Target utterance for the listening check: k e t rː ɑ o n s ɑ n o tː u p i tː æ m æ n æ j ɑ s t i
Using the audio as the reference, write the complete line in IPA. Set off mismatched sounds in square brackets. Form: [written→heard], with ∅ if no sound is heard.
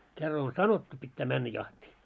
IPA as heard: k e [t→∅] rː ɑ o n s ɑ n o tː u p i tː [æ→æː] m æ [n→nː] æ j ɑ [s→h] t [i→iː]